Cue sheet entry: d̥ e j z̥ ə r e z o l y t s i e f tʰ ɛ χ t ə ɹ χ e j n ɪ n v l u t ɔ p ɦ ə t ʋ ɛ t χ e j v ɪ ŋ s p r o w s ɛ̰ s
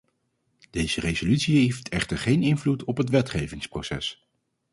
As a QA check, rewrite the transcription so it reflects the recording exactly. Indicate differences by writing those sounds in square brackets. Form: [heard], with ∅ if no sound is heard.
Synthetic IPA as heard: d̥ e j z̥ ə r e z o l y t s i e f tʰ ɛ χ t ə ɹ χ e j n ɪ n v l u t ɔ p ɦ ə t ʋ ɛ t χ e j v ɪ ŋ s p r o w s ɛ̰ s